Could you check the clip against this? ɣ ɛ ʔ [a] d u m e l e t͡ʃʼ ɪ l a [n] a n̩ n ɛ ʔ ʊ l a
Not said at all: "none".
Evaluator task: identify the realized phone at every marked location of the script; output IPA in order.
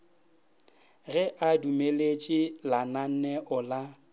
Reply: a, n

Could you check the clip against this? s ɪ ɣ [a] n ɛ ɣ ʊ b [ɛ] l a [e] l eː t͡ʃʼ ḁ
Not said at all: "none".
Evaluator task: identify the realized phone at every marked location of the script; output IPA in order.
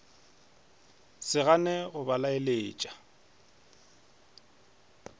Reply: a, a, e

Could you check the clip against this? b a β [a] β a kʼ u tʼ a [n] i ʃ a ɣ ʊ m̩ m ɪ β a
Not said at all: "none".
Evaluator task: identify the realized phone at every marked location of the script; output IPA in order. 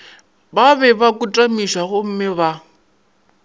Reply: ɛ, m

